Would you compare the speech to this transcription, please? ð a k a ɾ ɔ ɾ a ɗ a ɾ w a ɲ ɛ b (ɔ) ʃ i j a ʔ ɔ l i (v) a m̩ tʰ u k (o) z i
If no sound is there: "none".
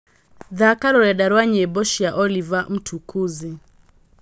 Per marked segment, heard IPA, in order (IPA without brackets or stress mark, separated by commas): ɔ, v, u